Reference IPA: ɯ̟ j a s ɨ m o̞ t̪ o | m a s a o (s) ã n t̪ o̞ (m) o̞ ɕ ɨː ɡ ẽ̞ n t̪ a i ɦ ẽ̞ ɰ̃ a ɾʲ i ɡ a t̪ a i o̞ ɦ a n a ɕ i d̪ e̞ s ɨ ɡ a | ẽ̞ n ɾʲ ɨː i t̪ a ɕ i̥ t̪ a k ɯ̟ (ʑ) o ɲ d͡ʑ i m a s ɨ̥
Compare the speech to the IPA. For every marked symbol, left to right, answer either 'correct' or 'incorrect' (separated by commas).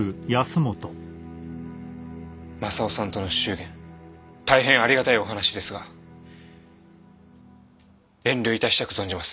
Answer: correct, incorrect, incorrect